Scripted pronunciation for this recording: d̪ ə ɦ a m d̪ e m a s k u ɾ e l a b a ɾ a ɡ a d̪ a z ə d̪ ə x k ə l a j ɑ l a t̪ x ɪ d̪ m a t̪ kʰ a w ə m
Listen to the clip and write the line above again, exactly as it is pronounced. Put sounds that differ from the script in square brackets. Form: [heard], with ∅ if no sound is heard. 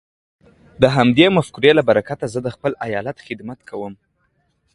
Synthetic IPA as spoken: d̪ ə ɦ a m d̪ e m a [f] k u ɾ e l a b a ɾ a [k] a [t̪] a z ə d̪ ə x [p] ə l a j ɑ l a t̪ x ɪ d̪ m a t̪ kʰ a w ə m